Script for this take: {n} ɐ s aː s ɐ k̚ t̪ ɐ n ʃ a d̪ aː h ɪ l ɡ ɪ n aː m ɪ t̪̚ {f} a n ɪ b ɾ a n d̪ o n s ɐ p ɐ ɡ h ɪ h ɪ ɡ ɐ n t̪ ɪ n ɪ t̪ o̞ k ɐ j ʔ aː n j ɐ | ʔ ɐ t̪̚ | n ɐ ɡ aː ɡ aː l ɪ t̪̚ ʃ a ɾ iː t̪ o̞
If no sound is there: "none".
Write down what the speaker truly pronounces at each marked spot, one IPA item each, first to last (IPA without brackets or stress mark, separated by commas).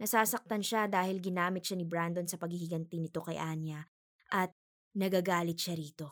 n, ʃ